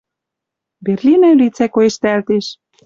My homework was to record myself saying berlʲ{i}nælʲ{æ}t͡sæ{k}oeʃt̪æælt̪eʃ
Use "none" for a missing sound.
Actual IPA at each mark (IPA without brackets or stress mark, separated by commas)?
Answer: i, i, k